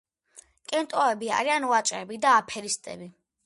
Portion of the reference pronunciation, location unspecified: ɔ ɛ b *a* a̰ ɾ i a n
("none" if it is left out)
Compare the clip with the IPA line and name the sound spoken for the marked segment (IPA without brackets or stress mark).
i